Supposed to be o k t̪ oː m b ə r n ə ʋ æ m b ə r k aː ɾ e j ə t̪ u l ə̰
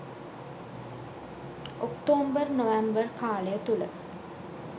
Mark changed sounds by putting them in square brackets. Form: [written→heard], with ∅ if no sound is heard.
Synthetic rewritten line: o k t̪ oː m b ə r n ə ʋ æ m b ə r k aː [ɾ→l] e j ə t̪ u l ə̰

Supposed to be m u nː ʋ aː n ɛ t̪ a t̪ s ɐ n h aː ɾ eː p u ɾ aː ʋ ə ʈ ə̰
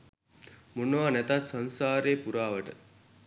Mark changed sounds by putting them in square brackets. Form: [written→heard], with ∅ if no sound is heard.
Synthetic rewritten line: m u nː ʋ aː n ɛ t̪ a t̪ s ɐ n [h→s] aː ɾ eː p u ɾ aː ʋ ə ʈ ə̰

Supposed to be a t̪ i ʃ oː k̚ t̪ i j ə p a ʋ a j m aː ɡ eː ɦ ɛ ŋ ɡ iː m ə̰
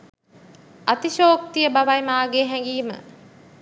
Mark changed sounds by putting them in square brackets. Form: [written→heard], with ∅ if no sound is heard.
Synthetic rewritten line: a t̪ i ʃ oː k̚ t̪ i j ə [p→b] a ʋ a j m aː ɡ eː ɦ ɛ ŋ ɡ iː m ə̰

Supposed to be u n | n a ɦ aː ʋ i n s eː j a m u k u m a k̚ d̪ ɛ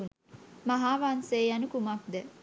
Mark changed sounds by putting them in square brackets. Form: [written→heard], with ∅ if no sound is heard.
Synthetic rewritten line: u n | [n→m] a ɦ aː ʋ [i→a] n s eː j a [m→n] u k u m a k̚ d̪ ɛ

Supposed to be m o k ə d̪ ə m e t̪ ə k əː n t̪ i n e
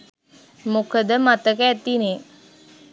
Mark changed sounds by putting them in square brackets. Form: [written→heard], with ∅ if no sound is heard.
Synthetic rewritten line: m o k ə d̪ ə m [e→a] t̪ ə k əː [n→∅] t̪ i n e

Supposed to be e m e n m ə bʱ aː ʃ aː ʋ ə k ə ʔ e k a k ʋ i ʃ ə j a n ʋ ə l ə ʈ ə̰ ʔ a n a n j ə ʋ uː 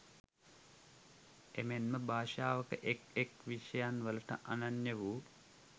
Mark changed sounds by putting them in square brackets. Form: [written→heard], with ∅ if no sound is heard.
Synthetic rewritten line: e m e n m ə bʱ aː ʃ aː ʋ ə k ə ʔ e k [a→e] k ʋ i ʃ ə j a n ʋ ə l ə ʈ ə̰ ʔ a n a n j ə ʋ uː

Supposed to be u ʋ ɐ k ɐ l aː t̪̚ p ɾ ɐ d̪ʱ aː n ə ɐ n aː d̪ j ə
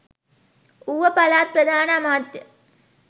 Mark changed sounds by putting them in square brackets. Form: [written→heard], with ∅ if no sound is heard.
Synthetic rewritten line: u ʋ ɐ [k→p] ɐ l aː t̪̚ p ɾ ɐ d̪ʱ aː n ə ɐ [n→m] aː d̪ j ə

